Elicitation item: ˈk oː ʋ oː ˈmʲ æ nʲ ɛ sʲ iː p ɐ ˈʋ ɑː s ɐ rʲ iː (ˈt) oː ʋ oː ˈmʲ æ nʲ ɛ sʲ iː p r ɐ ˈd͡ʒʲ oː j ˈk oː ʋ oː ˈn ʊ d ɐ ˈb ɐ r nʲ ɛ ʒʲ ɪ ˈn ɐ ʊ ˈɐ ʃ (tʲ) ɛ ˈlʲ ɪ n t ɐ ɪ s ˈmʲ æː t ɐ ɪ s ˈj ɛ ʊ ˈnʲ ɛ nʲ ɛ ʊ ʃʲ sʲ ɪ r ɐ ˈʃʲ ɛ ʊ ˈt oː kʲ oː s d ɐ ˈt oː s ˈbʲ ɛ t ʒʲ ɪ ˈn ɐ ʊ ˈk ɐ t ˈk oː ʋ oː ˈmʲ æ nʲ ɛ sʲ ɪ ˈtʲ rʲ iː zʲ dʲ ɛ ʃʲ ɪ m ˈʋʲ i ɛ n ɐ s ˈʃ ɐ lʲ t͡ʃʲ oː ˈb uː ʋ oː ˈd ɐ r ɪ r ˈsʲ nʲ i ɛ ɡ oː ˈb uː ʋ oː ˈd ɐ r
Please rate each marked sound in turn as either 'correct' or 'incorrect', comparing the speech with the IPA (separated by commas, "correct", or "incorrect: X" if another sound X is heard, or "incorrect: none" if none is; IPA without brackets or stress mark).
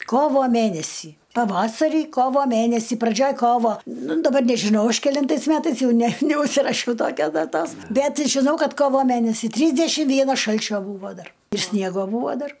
incorrect: k, incorrect: kʲ